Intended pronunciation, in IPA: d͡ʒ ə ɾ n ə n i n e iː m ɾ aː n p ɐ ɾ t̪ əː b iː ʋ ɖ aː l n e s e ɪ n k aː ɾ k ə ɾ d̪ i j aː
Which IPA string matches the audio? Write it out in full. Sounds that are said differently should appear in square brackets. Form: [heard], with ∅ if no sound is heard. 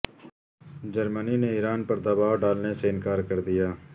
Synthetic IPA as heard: d͡ʒ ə ɾ [m] ə n i n e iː [∅] ɾ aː n p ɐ ɾ [d̪] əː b [aː] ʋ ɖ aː l n e s e ɪ n k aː ɾ k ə ɾ d̪ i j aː